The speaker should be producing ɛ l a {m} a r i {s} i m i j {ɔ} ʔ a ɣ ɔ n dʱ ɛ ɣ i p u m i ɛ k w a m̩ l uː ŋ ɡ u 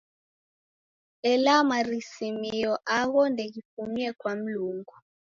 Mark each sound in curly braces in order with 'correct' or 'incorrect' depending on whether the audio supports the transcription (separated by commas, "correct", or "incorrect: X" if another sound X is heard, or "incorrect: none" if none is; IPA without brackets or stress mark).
correct, correct, correct